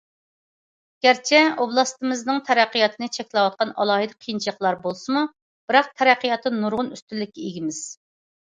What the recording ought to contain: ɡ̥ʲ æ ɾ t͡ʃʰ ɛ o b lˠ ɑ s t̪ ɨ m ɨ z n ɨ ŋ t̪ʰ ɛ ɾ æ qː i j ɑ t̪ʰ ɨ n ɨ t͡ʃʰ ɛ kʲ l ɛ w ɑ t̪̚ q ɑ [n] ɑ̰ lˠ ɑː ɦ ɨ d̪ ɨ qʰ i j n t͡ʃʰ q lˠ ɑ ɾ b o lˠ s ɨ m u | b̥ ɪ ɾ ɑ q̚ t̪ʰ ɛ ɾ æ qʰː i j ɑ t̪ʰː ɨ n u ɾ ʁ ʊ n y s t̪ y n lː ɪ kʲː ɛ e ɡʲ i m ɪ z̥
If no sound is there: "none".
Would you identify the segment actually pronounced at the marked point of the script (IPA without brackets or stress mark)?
n